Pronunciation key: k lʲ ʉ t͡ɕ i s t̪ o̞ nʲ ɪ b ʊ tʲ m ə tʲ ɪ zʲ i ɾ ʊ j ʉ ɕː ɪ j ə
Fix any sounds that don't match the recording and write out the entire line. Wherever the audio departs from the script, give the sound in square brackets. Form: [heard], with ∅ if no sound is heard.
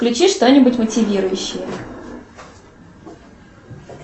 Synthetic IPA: k lʲ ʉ t͡ɕ i [ʂ] t̪ o̞ nʲ ɪ b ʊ tʲ m ə tʲ ɪ [vʲ] i ɾ ʊ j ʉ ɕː ɪ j ə